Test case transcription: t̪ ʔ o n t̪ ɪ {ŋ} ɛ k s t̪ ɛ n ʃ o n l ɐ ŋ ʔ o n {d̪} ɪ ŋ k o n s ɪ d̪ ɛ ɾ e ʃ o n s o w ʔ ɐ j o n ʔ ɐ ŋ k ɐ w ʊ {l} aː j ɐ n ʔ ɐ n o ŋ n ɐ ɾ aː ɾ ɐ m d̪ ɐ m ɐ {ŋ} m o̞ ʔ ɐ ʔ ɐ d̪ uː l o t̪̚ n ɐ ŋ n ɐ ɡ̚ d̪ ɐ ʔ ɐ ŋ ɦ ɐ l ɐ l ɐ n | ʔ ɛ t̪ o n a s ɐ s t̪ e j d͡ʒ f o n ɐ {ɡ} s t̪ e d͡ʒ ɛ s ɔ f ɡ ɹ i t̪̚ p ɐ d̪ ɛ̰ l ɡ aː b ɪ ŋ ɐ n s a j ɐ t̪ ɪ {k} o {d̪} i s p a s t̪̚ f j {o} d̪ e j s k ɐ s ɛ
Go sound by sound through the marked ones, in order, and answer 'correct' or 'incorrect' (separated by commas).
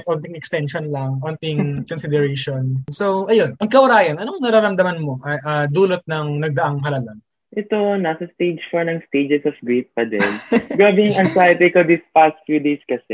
correct, incorrect, incorrect, incorrect, incorrect, correct, correct, incorrect